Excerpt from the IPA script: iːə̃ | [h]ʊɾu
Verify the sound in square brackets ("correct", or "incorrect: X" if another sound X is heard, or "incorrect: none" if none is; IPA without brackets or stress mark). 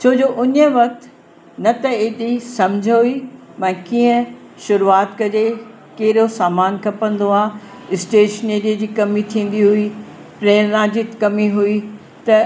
incorrect: ʃ